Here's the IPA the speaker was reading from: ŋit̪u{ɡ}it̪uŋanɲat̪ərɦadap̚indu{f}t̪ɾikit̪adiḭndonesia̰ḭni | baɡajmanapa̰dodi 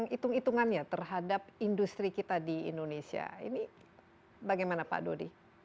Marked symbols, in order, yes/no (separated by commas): no, no